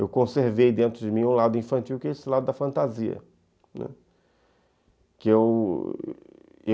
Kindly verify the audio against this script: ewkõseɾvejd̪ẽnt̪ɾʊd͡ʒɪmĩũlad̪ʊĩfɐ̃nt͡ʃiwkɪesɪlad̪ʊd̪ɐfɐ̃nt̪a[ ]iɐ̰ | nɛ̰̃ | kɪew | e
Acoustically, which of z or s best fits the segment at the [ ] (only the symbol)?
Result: z